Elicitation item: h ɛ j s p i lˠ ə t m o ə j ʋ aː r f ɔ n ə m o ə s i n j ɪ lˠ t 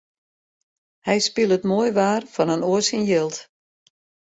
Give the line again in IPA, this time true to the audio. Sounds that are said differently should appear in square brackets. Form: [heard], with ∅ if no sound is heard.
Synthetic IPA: h ɛ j s p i lˠ ə t m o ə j ʋ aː r f ɔ n ə [n] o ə s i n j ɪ lˠ t